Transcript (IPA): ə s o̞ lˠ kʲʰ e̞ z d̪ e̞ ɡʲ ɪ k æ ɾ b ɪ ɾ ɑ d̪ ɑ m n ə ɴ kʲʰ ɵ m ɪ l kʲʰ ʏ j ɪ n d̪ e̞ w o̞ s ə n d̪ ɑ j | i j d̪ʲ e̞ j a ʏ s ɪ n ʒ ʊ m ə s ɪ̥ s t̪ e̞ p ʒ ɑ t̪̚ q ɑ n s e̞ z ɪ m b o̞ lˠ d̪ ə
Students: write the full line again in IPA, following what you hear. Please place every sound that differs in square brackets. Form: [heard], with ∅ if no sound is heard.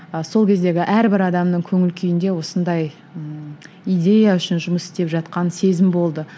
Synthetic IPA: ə s o̞ lˠ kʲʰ e̞ z d̪ e̞ ɡʲ ɪ [ʔ] æ ɾ b ɪ ɾ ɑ d̪ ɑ m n ə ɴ kʲʰ ɵ [ŋ] ɪ l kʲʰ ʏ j ɪ n d̪ e̞ w o̞ s ə n d̪ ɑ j | i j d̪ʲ e̞ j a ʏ [ʃ] ɪ n ʒ ʊ m ə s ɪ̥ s t̪ e̞ p ʒ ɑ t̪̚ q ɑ n s e̞ z ɪ m b o̞ lˠ d̪ ə